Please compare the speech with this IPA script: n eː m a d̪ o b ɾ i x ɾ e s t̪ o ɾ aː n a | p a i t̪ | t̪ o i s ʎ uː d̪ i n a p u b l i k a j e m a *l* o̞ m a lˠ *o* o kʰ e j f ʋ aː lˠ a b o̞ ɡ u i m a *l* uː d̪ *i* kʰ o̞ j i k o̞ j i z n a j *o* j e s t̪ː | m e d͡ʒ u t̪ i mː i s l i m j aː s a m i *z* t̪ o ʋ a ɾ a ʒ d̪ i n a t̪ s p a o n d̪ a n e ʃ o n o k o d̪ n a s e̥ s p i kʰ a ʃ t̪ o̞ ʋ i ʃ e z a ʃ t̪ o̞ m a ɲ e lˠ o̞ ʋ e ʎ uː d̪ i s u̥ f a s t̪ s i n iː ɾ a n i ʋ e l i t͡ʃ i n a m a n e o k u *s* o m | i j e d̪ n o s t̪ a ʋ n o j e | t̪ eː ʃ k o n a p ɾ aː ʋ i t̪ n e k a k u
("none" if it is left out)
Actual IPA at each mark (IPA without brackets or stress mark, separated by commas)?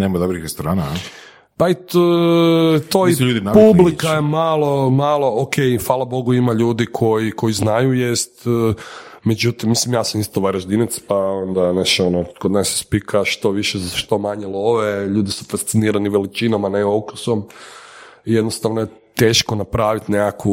l, o, ʎ, i, u, s, s